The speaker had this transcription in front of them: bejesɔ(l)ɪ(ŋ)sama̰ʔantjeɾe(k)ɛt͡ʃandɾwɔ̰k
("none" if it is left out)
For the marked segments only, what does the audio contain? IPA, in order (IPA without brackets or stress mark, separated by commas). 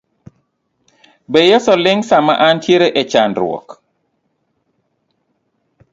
l, ŋ, ʔ